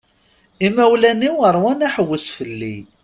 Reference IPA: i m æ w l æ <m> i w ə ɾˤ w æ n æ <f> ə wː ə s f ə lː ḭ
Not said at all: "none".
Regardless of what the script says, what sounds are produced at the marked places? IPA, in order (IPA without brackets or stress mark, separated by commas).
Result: n, ħ